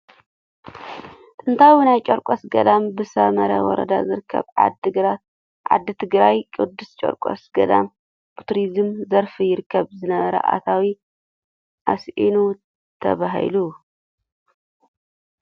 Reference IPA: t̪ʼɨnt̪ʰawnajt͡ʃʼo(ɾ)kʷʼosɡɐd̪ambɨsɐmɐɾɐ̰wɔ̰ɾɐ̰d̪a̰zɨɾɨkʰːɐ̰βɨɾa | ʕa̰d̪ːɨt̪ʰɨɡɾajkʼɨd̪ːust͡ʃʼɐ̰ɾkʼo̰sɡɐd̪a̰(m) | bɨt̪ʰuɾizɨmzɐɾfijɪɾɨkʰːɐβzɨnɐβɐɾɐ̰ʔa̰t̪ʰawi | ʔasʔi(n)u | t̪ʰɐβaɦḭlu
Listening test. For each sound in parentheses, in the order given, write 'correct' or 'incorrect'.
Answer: correct, correct, correct

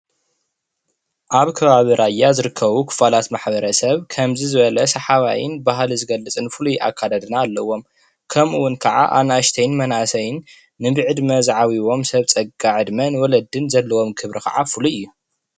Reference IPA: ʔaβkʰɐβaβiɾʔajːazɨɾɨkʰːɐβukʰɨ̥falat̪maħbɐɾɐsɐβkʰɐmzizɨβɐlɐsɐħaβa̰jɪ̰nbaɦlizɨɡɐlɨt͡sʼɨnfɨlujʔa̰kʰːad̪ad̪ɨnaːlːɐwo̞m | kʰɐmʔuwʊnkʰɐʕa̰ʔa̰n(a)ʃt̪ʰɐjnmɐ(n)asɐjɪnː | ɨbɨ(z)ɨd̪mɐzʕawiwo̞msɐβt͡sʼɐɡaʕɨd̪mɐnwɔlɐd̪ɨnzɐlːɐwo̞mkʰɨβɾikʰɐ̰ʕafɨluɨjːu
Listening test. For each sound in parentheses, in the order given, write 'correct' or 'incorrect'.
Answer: correct, correct, incorrect

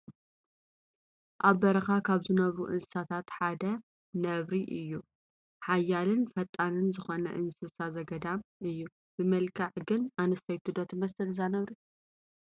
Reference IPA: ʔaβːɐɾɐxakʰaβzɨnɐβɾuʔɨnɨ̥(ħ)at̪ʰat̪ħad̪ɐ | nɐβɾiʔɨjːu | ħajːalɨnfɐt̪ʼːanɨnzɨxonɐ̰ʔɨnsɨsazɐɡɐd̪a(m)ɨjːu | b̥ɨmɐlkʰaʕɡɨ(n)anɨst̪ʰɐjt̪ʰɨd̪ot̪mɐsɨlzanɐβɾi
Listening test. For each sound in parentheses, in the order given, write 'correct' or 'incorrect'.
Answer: incorrect, correct, correct

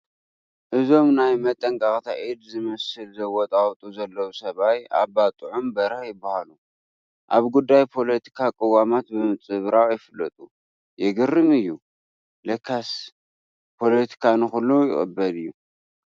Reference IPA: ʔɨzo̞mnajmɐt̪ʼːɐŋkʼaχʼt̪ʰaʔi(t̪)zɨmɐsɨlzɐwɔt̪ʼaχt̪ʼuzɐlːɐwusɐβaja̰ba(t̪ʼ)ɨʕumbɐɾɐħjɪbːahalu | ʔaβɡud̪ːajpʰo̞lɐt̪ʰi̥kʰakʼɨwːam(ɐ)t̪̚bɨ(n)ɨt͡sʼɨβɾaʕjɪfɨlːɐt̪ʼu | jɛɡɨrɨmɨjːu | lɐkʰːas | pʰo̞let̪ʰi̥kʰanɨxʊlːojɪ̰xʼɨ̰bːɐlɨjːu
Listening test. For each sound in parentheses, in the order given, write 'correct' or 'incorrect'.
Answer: incorrect, correct, incorrect, incorrect

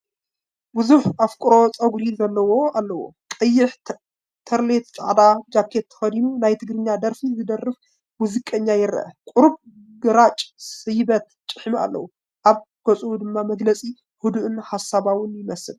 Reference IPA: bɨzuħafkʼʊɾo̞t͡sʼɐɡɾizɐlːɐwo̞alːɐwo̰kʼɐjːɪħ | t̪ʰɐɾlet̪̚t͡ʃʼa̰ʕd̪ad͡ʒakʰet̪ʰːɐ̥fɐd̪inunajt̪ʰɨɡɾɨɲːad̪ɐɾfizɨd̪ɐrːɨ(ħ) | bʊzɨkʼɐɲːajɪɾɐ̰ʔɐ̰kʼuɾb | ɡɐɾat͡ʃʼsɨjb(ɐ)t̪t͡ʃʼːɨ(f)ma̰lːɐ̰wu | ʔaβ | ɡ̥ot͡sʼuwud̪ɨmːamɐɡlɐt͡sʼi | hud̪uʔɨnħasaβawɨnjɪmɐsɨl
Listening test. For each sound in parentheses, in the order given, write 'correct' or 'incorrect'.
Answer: incorrect, correct, incorrect

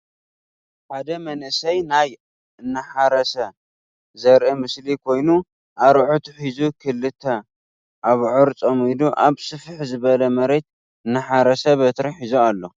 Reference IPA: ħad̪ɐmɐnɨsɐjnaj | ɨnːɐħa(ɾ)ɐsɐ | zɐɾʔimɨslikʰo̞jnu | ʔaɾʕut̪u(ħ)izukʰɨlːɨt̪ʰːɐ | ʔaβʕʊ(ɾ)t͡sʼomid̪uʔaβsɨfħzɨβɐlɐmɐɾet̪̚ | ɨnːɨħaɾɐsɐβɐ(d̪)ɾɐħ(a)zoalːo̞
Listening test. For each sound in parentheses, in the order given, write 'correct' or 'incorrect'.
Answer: correct, correct, correct, incorrect, incorrect

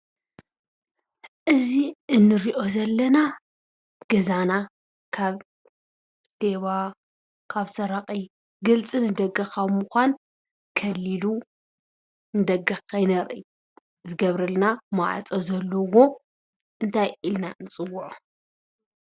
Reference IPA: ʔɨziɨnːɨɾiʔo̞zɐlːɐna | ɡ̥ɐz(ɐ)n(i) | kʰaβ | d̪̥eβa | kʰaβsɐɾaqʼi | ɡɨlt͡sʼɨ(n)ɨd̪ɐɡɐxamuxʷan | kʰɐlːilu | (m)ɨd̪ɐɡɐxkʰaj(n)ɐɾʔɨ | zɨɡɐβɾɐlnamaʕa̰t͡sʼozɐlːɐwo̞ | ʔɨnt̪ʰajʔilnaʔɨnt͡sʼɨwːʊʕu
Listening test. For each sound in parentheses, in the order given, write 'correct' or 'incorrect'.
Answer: incorrect, incorrect, correct, incorrect, correct

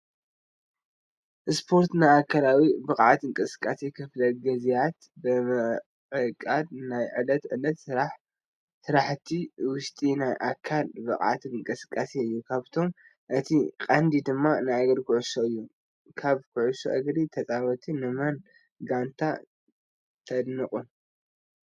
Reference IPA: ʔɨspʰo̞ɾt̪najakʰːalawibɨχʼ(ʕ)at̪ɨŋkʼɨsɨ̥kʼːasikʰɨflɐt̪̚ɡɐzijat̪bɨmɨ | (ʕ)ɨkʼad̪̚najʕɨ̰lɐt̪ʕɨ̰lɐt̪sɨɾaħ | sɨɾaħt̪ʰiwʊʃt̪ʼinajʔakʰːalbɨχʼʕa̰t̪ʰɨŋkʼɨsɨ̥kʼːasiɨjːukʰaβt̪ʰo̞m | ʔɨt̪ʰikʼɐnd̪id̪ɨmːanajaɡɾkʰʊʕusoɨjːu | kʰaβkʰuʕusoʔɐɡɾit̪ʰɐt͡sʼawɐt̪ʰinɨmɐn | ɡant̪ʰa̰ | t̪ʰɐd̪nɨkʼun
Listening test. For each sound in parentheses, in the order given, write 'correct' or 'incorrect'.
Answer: correct, correct

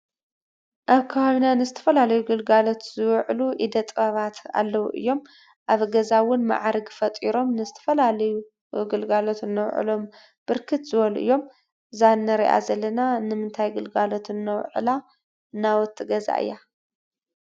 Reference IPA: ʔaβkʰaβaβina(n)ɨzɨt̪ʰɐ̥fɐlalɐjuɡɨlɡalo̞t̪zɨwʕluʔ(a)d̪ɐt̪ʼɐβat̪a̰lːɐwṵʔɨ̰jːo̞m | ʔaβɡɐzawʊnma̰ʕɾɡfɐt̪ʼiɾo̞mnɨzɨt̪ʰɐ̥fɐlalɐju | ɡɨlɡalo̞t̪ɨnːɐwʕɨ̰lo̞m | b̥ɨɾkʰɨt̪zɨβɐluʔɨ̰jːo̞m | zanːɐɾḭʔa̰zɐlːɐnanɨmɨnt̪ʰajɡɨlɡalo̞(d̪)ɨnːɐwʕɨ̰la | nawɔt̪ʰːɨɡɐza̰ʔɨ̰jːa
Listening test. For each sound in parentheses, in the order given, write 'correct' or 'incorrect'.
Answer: correct, incorrect, incorrect

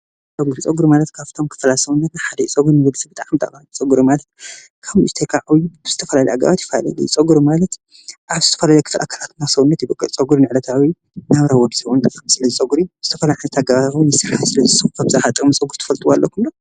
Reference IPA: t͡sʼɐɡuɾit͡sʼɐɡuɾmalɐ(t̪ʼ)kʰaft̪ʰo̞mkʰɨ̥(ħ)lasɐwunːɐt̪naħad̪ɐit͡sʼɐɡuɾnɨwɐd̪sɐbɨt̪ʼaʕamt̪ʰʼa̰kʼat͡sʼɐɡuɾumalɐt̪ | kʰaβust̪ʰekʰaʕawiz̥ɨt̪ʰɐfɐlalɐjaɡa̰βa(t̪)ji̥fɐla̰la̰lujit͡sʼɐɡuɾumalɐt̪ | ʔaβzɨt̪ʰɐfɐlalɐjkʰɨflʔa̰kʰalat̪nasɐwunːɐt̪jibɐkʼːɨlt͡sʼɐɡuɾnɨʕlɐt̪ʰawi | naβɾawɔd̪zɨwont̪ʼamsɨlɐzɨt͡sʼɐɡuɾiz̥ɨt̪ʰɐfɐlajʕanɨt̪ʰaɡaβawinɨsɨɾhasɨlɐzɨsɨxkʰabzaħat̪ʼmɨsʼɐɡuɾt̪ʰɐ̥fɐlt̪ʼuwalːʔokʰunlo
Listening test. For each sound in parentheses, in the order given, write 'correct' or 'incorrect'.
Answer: incorrect, incorrect, correct

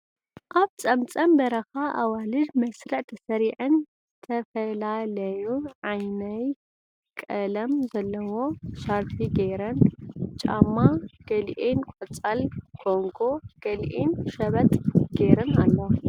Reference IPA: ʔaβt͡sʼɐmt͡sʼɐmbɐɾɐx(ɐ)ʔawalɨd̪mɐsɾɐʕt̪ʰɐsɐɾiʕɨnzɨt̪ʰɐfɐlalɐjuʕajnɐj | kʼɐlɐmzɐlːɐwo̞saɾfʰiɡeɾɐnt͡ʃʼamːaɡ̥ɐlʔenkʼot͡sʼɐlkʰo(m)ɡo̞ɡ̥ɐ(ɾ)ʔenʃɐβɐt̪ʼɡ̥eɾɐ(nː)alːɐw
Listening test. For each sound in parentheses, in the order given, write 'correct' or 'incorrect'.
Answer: incorrect, incorrect, incorrect, incorrect

